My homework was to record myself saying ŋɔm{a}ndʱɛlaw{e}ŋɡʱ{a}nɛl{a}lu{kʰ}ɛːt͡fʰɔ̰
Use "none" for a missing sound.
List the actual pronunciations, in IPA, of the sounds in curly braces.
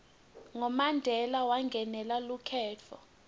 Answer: a, a, ɛ, a, kʰ

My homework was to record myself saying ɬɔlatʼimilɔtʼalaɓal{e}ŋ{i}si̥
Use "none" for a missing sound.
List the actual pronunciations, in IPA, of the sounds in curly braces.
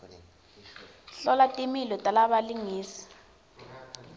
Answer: i, iː

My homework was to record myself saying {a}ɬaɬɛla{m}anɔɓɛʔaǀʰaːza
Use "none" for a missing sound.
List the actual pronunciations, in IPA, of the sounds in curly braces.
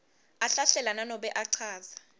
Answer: a, n

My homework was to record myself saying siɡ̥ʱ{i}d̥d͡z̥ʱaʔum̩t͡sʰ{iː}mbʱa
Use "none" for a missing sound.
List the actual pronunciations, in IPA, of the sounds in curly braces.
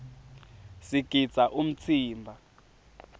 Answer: i, iː

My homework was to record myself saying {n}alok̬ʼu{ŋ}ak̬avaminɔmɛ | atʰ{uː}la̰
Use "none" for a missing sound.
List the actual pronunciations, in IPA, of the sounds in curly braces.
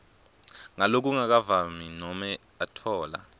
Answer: ŋ, ŋ, ɔː

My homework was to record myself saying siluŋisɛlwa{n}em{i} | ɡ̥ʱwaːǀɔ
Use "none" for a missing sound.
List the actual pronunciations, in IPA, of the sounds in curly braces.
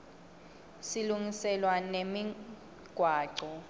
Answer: n, i

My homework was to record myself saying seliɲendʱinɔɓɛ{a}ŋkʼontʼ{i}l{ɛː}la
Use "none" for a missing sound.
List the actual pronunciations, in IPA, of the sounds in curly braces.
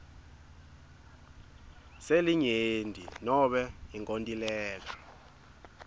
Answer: i, i, ɛː

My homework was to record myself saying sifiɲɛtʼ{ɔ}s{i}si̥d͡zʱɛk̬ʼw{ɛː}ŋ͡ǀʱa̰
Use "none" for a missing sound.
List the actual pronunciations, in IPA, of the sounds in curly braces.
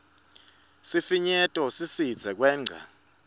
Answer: ɔ, i, ɛː

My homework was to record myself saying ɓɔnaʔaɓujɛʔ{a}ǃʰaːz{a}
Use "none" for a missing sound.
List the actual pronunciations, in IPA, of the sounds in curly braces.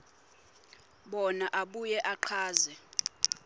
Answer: a, ɛ

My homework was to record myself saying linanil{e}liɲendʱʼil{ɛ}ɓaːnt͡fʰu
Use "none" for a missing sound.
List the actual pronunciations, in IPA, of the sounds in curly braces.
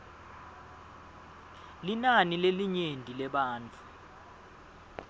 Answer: e, ɛ

